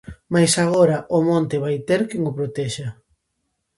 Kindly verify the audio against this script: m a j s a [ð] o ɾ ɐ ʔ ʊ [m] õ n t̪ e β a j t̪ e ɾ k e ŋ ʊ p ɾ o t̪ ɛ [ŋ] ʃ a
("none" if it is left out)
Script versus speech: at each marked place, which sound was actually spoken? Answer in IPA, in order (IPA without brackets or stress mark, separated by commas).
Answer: ɣ, m, none